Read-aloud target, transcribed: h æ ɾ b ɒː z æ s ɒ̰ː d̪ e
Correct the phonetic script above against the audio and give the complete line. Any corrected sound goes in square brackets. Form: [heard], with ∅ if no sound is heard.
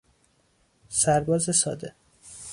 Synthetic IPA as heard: [s] æ ɾ b ɒː z [e] s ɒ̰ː d̪ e